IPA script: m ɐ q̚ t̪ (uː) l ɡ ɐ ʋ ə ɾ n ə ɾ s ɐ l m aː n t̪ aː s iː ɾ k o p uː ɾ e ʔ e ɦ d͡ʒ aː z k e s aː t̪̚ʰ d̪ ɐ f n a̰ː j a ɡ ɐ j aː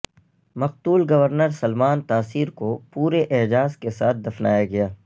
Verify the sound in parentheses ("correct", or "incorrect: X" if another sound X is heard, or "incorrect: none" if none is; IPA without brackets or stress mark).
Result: correct